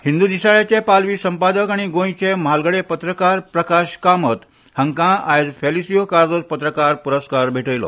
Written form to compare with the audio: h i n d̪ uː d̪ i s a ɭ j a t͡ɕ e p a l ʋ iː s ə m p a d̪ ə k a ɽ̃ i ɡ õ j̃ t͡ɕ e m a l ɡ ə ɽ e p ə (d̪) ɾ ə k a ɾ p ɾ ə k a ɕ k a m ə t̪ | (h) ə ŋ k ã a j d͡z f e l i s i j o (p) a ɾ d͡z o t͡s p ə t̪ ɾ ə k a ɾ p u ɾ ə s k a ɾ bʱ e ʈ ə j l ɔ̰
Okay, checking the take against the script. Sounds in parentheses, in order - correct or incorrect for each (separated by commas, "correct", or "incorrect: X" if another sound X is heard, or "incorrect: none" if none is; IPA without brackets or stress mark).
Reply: incorrect: t̪, correct, incorrect: k